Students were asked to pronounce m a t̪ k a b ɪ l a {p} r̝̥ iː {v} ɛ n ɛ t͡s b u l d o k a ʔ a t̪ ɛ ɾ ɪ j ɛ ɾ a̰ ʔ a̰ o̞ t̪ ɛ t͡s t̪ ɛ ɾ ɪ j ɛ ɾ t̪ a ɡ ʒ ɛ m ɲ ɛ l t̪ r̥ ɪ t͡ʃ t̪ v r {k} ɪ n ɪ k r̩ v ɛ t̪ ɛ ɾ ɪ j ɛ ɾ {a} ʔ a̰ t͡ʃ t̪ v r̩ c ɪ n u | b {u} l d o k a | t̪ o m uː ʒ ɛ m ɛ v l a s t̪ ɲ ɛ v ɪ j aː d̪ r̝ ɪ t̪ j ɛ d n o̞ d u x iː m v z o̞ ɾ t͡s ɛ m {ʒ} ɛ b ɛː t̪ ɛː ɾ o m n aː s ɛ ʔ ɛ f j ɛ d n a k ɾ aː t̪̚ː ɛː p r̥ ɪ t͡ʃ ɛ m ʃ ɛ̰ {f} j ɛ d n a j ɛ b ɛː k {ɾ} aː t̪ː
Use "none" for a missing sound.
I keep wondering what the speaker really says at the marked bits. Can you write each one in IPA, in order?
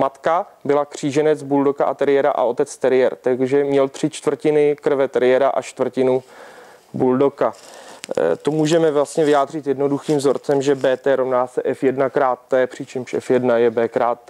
k, ʒ, c, a, u, ʒ, f, ɾ

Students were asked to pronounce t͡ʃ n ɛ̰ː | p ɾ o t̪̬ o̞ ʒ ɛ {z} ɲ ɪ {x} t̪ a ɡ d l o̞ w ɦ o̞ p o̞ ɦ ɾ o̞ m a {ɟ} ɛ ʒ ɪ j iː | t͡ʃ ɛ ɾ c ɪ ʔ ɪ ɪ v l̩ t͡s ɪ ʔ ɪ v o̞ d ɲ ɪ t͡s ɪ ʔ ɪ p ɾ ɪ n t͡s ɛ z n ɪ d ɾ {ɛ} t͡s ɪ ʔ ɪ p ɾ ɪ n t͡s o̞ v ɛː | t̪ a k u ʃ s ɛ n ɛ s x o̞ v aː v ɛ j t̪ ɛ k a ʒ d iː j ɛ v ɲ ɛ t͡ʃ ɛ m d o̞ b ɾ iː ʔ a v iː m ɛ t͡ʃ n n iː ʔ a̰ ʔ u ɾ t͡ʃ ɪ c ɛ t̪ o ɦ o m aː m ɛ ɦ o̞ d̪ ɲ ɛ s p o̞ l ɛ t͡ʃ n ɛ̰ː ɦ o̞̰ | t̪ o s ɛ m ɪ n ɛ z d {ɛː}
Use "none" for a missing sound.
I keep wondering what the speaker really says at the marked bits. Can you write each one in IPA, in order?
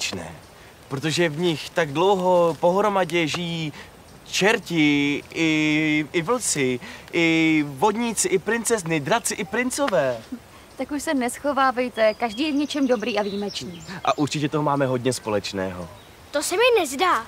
v, x, ɟ, a, aː

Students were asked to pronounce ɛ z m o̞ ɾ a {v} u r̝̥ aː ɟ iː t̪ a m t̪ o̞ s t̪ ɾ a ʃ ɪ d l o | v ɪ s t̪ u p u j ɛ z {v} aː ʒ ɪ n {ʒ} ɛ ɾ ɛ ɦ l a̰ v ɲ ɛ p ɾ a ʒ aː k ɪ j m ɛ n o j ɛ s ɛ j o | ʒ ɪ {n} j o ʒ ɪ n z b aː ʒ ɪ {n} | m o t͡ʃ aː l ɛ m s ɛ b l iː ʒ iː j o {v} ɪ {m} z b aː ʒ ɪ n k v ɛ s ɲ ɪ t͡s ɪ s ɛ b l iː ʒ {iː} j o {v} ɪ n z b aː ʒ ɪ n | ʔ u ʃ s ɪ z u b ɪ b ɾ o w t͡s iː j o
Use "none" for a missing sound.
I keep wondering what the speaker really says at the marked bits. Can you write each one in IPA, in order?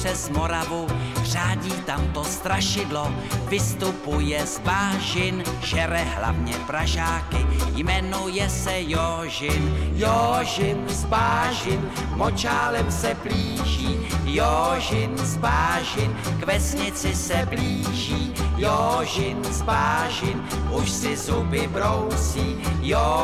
v, b, ʒ, n, n, ʒ, n, iː, ʒ

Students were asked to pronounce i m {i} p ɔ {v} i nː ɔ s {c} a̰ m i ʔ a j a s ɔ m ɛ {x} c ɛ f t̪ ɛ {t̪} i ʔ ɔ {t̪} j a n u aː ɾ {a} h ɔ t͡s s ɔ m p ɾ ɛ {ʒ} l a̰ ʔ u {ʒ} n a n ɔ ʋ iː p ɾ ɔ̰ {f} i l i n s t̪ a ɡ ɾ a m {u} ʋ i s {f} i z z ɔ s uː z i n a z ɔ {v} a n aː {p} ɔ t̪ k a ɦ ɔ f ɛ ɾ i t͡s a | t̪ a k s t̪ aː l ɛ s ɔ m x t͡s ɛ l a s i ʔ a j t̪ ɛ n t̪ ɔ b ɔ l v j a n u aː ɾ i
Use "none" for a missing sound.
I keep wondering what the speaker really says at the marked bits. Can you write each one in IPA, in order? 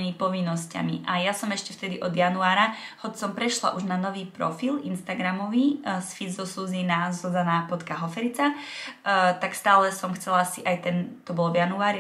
i, ʋ, c, ʃ, d̪, d̪, a, ʃ, ʒ, f, ɔ, f, z, p

